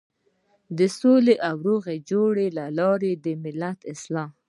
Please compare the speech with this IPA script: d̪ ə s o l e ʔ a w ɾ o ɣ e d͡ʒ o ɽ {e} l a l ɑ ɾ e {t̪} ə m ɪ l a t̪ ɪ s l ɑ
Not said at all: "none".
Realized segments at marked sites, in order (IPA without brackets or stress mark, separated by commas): e, d̪